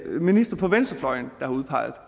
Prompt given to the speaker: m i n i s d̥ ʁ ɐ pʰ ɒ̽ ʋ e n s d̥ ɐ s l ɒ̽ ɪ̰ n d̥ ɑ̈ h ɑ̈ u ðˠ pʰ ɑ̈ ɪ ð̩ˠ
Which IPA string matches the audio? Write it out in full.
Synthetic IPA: m i n i s d̥ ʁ ɐ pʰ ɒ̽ ʋ e n s d̥ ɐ f l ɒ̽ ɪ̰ n d̥ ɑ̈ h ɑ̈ u ðˠ pʰ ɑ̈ ɪ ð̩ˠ

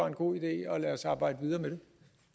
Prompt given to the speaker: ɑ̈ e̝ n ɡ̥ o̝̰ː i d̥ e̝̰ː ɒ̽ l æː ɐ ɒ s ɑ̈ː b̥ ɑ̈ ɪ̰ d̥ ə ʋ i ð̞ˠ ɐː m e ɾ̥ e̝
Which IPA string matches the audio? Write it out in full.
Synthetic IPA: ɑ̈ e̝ n ɡ̥ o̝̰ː i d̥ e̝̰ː ɒ̽ l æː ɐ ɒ s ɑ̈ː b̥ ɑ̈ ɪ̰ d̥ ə ʋ i ð̞ˠ ɐː m e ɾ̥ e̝

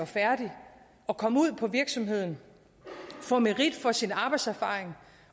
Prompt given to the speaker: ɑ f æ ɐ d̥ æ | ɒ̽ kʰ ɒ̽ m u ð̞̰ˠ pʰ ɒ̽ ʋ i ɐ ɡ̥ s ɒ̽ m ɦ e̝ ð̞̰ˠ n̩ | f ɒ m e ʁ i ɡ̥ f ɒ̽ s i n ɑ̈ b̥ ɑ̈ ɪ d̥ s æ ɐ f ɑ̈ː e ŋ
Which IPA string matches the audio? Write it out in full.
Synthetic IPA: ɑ f æ ɐ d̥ i | ɒ̽ kʰ ɒ̽ m u ð̞̰ˠ pʰ ɒ̽ ʋ i ɐ ɡ̥ s ɒ̽ m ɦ e̝ ð̞̰ˠ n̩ | f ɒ m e ʁ i d̥ f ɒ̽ s i n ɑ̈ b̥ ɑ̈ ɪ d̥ s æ ɐ f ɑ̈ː e ŋ

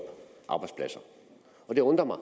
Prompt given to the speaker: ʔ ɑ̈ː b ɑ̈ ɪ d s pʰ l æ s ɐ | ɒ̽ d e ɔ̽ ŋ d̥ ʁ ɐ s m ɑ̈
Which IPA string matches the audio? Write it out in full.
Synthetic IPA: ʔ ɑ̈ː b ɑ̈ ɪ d s pʰ l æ s ɐ | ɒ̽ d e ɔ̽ n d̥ ʁ ɐ m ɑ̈

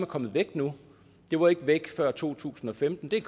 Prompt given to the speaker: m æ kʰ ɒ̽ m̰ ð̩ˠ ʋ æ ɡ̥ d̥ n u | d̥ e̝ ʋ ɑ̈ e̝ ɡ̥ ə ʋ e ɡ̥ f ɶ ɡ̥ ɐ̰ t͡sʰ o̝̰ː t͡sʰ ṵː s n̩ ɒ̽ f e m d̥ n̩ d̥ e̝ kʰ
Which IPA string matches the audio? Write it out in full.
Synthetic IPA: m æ kʰ ɒ̽ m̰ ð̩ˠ ʋ e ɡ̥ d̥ n u | d̥ e̝ ʋ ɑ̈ e̝ ɡ̥ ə ʋ e ɡ̥ f ɶ ɐ̰ t͡sʰ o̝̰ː t͡sʰ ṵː s n̩ ɒ̽ f e m d̥ n̩ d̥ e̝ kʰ

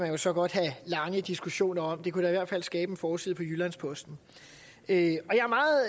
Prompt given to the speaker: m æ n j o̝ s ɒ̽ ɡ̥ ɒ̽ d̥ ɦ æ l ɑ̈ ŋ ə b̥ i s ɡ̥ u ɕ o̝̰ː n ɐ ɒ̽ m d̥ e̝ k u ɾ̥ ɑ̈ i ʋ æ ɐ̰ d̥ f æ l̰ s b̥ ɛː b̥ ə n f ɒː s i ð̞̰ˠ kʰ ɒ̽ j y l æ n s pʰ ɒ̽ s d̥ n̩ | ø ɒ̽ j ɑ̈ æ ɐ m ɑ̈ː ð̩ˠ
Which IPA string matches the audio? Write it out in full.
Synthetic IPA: m æ n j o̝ s ɒ̽ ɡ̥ ɒ̽ d̥ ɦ æ l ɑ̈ ŋ ə d̥ i s ɡ̥ u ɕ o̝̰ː n ɐ ɒ̽ m d̥ e̝ k u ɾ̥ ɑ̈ i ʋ æ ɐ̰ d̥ f æ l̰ s ɡ̥ ɛː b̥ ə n f ɒː s i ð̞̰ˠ pʰ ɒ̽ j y l æ n s pʰ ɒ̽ s d̥ n̩ | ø ɒ̽ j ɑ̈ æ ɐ m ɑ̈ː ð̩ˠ

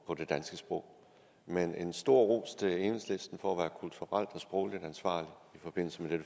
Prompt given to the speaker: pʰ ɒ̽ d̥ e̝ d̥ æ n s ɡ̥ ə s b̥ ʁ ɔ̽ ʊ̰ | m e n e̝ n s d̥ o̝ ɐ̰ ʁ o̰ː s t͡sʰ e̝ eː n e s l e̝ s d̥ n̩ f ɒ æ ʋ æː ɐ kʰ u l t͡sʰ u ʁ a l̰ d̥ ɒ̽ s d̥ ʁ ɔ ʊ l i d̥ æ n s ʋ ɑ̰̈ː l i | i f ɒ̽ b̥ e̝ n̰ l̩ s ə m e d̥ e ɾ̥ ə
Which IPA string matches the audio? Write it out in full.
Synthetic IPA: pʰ ɒ̽ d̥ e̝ d̥ æ n s ɡ̥ ə s b̥ ʁ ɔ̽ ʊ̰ | m e n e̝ n s d̥ o̝ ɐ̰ ʁ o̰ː s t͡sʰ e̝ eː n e s l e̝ s d̥ n̩ f ɒ æ ʋ æː ɐ kʰ u l t͡sʰ u ʁ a l̰ d̥ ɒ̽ s b̥ ʁ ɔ ʊ l i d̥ æ n s ʋ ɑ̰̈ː l i | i f ɒ̽ b̥ e̝ n̰ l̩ s ə m e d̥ e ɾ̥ ə

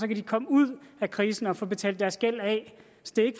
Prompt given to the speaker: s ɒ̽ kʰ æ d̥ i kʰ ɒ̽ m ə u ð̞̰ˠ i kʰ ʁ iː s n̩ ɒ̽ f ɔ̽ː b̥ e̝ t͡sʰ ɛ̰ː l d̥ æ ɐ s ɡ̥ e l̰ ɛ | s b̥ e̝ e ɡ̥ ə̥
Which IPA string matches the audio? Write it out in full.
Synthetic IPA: s ɒ̽ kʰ æ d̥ i kʰ ɒ̽ m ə u ð̞̰ˠ æ kʰ ʁ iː s n̩ ɒ̽ f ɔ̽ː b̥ e̝ t͡sʰ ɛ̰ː l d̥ æ ɐ s ɡ̥ e l̰ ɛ | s d̥ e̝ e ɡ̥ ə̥

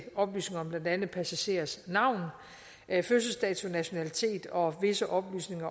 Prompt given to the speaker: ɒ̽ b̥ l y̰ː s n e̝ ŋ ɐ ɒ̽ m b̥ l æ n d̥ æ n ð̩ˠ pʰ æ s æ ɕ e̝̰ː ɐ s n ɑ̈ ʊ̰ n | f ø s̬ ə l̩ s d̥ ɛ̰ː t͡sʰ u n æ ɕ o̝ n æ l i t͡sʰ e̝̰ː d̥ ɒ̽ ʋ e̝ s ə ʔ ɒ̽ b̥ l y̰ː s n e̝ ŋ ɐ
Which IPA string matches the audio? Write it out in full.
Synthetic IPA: ɒ̽ b̥ l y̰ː s n e̝ ŋ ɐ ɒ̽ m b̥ l æ n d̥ æ n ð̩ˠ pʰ æ s æ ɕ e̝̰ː ɐ s n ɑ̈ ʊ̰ n | f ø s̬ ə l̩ s d̥ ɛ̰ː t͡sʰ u n æ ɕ o̝ n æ l i t͡sʰ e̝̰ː d̥ ɒ̽ ʋ e̝ s ə ʔ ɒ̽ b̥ l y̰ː s n e̝ ŋ ɐ

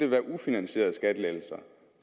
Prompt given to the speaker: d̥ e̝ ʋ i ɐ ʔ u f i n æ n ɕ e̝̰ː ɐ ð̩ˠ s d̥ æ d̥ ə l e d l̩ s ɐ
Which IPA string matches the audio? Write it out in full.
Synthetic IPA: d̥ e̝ ʋ æ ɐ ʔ u f i n æ n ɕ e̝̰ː ɐ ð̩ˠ s ɡ̥ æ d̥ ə l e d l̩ s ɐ

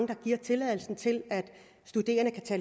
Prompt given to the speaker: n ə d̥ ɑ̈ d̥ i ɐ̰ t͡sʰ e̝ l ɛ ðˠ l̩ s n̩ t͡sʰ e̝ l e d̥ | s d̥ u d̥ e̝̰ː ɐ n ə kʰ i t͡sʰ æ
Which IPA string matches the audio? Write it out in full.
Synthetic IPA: ŋ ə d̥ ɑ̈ ɡ̥ i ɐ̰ t͡sʰ e̝ l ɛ ðˠ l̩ s n̩ t͡sʰ e̝ l æ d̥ | s d̥ u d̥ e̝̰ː ɐ n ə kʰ æ t͡sʰ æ

